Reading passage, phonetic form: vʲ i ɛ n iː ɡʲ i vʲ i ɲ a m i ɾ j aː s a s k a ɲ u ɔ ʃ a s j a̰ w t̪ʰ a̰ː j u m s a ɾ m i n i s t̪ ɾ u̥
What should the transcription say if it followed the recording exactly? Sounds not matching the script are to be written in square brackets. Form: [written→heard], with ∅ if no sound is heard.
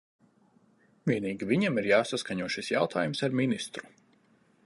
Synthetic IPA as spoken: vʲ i ɛ n iː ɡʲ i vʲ i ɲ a m i ɾ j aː s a s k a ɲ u ɔ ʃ [a→i] s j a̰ w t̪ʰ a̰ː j u m s a ɾ m i n i s t̪ ɾ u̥

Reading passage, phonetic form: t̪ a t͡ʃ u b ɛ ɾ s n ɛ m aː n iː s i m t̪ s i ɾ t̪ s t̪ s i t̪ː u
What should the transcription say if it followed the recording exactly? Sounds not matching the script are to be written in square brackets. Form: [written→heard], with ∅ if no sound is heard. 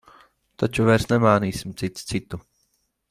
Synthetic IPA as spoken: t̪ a t͡ʃ u [b→v] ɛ ɾ s n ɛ m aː n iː s i m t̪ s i [ɾ→∅] t̪ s t̪ s i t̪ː u

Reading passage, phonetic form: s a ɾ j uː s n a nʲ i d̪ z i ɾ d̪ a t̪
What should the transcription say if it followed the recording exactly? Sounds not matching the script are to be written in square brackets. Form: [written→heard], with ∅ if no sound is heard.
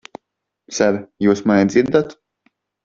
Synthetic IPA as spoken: s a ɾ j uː s [n→m] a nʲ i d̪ z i ɾ d̪ a t̪

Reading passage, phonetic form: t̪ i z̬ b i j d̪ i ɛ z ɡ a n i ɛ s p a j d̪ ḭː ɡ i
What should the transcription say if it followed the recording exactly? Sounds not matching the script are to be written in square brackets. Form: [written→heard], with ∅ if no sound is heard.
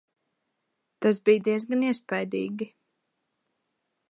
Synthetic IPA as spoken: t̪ [i→a] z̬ b i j d̪ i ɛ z ɡ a n i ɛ s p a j d̪ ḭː ɡ i

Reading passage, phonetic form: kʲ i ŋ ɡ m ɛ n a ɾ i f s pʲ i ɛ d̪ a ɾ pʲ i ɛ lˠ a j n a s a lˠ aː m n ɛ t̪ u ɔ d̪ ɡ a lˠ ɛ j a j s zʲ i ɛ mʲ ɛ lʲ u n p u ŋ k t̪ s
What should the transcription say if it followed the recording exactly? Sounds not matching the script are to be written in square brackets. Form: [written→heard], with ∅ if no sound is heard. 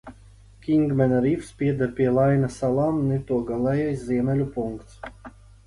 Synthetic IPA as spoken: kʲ i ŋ ɡ m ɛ n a ɾ i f s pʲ i ɛ d̪ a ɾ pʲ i ɛ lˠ a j n a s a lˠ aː m n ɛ t̪ u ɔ [d̪→∅] ɡ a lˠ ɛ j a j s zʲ i ɛ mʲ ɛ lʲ u [n→∅] p u ŋ k t̪ s

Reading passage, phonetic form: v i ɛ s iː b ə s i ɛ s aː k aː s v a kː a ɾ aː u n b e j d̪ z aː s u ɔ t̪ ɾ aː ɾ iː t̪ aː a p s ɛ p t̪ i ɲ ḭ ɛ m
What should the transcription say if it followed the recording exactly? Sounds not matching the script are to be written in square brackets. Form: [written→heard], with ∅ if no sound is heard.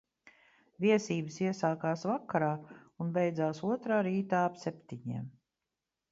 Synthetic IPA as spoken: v i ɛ s iː b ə s i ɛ s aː k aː s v a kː a ɾ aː u n b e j d̪ z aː s u ɔ t̪ ɾ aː ɾ iː t̪ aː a p s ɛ p t̪ i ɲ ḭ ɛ m

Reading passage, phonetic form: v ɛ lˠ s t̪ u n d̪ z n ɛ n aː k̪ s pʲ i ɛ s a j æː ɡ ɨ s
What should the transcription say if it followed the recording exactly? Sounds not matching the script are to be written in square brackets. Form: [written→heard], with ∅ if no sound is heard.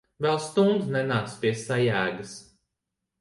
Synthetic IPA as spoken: v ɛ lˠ s t̪ u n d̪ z n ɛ n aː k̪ s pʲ i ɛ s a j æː ɡ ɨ s

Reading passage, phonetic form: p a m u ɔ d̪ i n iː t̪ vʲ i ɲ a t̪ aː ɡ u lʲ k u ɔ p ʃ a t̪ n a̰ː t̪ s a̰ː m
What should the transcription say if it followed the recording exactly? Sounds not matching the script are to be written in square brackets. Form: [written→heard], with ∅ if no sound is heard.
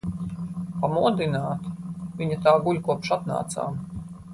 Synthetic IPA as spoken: p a m u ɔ d̪ i n [iː→aː] t̪ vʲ i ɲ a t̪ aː ɡ u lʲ k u ɔ p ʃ a t̪ n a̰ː t̪ s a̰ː m

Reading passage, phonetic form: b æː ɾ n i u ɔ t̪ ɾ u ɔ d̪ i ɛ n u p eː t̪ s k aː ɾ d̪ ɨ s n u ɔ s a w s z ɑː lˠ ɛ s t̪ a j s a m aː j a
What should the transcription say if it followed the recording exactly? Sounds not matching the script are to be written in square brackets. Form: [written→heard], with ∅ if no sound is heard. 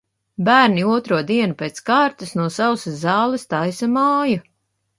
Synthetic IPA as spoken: b æː ɾ n i u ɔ t̪ ɾ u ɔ d̪ i ɛ n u p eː t̪ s k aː ɾ [d̪→t̪] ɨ s n u ɔ s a w s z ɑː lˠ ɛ s t̪ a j s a m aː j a

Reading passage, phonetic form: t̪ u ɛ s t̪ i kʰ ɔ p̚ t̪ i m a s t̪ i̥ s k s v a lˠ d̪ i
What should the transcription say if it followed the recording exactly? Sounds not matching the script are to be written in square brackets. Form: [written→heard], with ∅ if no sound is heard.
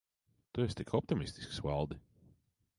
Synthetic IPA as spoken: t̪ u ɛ s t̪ i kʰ ɔ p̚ t̪ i m [a→i] s t̪ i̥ s k s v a lˠ d̪ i

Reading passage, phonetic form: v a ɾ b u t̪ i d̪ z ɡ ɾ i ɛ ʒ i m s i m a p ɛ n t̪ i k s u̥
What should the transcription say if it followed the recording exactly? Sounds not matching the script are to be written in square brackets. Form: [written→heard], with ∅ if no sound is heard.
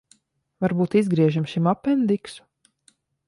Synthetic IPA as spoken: v a ɾ b [u→uː] t̪ i [d̪→∅] z ɡ ɾ i ɛ ʒ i m [s→ʃ] i m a p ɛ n [t̪→d̪] i k s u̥

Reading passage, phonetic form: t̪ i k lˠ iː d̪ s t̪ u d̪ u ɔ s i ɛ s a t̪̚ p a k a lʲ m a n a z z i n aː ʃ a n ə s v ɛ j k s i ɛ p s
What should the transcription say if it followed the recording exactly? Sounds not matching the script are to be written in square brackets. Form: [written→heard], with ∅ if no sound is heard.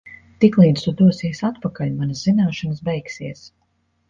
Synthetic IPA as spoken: t̪ i k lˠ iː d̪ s t̪ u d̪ u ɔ s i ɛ s a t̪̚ p a k a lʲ m a n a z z i n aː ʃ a n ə s [v→b] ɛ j k s i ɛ [p→∅] s

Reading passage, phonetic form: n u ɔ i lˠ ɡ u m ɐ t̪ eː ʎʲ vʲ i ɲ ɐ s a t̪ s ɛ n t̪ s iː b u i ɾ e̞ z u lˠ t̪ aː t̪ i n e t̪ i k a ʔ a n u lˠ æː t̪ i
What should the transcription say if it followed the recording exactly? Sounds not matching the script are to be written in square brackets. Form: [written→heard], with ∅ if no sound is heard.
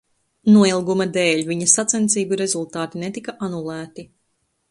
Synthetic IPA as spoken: n u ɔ i lˠ ɡ u m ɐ [t̪→d̪] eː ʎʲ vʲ i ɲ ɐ s a t̪ s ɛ n t̪ s iː b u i ɾ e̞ z u lˠ t̪ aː t̪ i n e t̪ i k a ʔ a n u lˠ æː t̪ i

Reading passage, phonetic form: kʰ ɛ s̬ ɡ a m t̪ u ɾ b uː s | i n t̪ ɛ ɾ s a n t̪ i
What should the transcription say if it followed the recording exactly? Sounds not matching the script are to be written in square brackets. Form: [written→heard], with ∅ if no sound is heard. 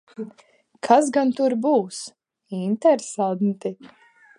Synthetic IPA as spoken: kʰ [ɛ→a] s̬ ɡ a [m→n] t̪ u ɾ b uː s | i n t̪ ɛ ɾ s a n t̪ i

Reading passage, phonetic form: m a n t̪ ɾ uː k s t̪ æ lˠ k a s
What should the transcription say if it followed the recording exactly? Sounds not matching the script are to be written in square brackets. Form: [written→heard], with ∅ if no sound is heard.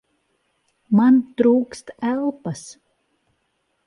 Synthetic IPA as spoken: m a n t̪ ɾ uː k s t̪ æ lˠ [k→p] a s

